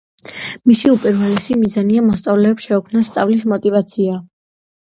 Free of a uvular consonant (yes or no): yes